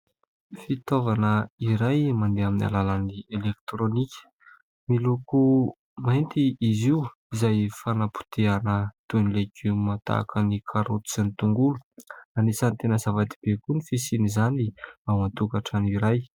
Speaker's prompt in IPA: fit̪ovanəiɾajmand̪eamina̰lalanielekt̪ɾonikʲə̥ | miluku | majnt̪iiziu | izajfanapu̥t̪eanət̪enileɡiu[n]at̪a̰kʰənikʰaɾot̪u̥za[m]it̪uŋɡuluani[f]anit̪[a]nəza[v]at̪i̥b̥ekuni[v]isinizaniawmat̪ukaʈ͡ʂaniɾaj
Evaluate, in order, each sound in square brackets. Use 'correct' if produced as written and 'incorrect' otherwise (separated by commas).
incorrect, incorrect, incorrect, incorrect, correct, incorrect